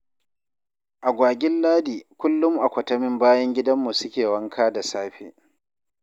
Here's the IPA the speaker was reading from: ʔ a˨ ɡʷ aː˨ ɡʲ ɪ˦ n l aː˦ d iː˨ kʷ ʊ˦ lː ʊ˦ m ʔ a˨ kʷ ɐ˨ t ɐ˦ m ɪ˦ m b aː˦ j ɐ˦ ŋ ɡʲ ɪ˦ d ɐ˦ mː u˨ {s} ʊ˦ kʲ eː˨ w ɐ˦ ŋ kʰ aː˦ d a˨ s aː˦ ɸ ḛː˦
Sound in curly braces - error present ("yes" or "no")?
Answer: no